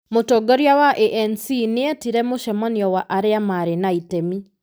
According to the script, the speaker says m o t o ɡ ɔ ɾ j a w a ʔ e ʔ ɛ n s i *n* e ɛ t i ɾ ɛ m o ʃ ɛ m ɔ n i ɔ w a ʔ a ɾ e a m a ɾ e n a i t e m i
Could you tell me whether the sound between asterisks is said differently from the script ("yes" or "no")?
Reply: no